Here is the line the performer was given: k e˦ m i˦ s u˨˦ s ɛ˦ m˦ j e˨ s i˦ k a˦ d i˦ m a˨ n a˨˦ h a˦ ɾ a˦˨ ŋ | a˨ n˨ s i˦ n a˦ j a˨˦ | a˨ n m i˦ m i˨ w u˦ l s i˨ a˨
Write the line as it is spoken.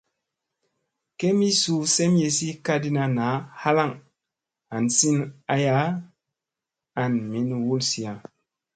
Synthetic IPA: k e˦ m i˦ s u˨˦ s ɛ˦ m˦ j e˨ s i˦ k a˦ d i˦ n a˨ n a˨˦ h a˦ l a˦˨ ŋ | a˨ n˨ s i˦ n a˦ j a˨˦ | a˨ n m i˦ n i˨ w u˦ l s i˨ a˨